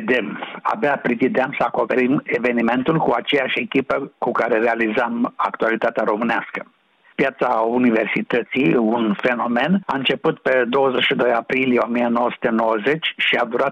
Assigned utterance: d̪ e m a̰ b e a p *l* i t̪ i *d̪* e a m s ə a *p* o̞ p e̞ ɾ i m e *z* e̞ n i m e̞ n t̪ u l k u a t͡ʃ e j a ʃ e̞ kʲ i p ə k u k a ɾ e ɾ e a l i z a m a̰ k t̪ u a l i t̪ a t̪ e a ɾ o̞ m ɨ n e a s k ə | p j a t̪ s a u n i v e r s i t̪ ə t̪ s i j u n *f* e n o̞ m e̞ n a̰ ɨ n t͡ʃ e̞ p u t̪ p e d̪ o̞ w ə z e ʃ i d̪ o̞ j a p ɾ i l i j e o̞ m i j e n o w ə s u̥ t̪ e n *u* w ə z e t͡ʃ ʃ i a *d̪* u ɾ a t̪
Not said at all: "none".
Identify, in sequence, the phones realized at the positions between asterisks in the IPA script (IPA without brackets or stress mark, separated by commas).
ɾ, d̪, k, v, f, o, d̪